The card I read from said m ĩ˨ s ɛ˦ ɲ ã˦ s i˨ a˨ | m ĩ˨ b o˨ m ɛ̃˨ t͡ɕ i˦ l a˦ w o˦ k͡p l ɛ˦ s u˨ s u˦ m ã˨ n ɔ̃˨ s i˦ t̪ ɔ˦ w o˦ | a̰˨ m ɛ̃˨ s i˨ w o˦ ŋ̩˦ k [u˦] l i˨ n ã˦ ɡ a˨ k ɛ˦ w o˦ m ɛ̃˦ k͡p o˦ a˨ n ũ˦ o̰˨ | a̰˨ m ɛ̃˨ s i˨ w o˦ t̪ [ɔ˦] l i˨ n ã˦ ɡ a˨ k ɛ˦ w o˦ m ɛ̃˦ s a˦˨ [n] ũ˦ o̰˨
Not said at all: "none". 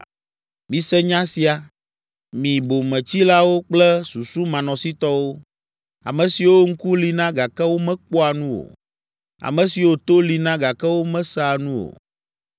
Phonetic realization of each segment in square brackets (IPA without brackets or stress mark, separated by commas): u˦, o˦, n